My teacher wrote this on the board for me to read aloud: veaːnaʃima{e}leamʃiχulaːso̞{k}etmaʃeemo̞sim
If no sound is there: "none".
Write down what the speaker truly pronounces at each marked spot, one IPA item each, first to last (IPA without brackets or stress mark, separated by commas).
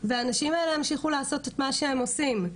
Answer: e, t